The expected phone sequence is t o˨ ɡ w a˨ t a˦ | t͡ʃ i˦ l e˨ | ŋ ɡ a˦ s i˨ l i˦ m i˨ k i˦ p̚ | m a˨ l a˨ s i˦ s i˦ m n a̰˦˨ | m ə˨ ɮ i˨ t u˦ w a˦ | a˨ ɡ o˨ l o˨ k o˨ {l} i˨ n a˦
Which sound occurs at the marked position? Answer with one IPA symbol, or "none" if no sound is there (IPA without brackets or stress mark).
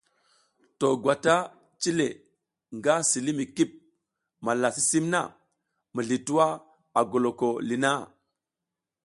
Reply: l